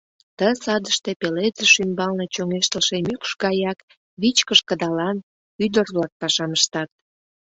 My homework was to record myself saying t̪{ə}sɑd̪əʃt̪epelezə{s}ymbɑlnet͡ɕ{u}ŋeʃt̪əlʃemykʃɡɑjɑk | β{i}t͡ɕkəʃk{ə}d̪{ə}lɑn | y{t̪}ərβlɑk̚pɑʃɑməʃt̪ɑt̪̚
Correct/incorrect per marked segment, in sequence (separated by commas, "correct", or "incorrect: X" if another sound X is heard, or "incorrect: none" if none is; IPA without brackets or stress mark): correct, incorrect: ʃ, incorrect: o, correct, correct, incorrect: ɑ, incorrect: d̪